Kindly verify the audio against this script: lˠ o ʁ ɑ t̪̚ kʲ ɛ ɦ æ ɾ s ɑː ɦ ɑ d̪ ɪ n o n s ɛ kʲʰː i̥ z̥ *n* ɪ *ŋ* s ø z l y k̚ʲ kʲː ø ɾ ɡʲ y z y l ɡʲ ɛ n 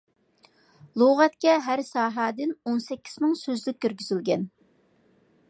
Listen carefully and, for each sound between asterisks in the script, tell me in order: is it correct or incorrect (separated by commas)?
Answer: incorrect, correct